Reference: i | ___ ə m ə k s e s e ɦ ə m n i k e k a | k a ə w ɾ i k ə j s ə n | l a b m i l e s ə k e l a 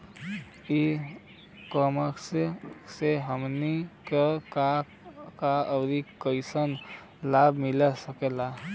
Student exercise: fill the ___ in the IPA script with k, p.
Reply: k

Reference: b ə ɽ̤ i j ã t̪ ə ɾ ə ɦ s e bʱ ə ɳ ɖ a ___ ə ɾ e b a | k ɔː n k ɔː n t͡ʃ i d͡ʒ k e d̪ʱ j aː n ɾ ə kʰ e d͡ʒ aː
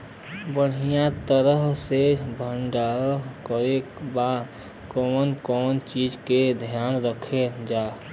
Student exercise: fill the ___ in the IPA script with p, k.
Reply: k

